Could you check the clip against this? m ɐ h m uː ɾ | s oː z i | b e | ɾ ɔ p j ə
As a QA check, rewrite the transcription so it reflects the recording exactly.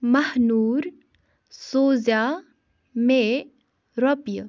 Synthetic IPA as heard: m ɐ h n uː ɾ | s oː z a | m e | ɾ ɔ p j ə